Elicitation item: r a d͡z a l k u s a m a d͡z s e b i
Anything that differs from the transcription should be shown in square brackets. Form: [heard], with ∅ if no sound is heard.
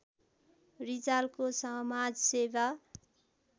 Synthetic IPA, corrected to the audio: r [i] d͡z a l k [o] s [ʌ] m a d͡z s e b [a]